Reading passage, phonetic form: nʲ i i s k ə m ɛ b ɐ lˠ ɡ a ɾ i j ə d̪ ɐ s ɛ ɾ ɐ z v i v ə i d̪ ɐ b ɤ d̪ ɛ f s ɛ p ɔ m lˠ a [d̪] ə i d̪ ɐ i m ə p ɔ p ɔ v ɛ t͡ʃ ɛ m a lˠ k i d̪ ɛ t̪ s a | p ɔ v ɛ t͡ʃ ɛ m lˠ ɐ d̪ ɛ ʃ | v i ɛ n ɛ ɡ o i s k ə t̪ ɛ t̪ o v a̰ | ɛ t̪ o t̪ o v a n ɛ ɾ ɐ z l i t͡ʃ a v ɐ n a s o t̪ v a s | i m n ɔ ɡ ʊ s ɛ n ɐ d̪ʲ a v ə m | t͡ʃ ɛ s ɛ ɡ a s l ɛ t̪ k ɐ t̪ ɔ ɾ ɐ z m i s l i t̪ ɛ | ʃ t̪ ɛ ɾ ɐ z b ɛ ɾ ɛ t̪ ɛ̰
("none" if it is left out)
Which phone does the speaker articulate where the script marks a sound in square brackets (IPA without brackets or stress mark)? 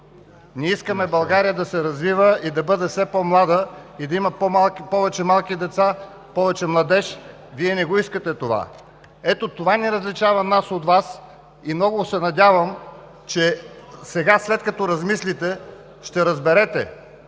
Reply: d̪